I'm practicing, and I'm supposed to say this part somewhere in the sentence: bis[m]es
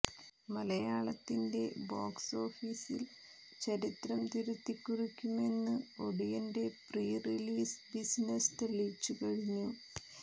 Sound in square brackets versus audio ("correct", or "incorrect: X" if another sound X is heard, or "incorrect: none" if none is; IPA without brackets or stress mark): incorrect: n